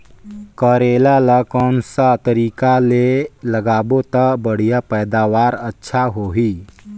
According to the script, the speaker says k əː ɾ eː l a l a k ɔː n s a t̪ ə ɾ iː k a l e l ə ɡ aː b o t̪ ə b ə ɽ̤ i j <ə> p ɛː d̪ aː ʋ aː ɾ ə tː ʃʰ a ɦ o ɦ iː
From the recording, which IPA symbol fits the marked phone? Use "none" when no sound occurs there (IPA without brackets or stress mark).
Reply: a